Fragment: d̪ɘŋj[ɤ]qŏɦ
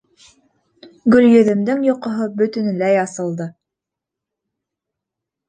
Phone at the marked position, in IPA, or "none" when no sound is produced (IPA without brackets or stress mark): o